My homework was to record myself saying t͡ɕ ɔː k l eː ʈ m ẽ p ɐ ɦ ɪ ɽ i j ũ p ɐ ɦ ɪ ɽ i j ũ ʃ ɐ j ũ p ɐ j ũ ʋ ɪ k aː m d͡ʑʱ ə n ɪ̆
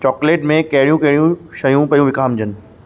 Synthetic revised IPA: t͡ɕ ɔː k l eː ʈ m ẽ k ɐ ɦ ɪ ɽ i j ũ k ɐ ɦ ɪ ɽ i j ũ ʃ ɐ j ũ p ɐ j ũ ʋ ɪ k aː m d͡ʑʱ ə n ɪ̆